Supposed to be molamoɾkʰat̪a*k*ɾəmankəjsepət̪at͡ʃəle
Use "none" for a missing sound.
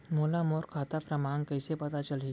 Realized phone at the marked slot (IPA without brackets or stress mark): p